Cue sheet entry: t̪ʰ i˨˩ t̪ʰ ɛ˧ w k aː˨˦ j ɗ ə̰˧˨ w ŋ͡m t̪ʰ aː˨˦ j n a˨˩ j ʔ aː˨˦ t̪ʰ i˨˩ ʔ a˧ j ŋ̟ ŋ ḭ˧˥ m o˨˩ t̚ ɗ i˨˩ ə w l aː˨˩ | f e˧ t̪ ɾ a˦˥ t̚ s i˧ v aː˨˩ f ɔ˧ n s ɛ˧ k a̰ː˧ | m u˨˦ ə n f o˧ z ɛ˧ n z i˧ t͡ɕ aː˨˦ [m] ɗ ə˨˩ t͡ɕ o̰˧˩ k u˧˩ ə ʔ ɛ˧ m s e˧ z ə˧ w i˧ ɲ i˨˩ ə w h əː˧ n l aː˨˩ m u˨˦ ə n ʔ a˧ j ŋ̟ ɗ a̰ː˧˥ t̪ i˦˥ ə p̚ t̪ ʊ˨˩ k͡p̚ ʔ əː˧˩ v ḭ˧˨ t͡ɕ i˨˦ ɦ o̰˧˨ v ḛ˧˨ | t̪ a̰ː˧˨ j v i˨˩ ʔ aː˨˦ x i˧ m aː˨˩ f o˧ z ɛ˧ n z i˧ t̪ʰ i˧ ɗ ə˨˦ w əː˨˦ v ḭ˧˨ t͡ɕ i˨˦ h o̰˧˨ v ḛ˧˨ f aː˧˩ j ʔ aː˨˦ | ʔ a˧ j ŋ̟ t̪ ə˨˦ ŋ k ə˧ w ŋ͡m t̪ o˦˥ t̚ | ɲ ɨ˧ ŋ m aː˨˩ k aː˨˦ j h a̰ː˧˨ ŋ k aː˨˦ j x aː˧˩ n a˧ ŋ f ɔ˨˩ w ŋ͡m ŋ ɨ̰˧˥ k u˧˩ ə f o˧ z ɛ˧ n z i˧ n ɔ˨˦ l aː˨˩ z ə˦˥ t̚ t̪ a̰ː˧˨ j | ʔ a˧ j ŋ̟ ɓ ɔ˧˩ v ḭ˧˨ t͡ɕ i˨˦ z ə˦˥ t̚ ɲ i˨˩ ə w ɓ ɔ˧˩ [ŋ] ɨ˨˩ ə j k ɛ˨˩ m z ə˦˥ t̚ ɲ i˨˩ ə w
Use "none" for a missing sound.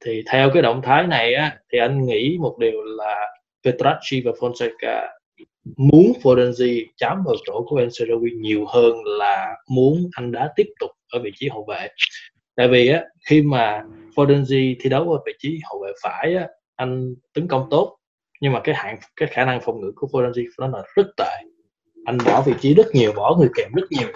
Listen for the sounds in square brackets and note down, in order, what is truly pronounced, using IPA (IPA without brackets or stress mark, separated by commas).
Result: m, ŋ